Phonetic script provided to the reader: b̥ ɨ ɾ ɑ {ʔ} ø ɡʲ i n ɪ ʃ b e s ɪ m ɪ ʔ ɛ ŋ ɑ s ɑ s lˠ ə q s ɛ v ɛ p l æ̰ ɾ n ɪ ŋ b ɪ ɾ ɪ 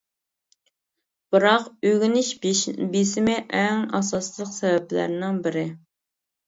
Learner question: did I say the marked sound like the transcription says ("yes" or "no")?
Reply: no